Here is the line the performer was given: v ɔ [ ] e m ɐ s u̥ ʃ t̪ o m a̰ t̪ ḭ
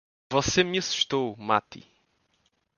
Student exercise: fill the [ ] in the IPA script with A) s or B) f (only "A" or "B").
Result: A